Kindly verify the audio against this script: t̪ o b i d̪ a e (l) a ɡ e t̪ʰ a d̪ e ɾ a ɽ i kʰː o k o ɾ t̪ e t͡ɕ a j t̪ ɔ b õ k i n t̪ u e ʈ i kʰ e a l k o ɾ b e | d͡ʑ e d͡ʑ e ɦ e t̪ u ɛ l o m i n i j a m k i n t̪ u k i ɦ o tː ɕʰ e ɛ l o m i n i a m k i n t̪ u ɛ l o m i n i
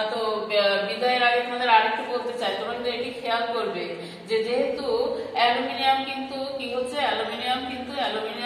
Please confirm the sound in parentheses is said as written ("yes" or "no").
no